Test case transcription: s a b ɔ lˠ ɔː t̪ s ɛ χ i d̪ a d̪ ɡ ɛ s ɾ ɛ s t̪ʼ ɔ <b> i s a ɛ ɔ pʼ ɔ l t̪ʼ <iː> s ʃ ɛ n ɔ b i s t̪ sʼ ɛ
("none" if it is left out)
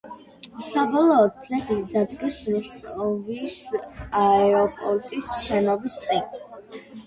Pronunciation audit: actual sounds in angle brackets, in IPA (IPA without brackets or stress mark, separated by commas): v, i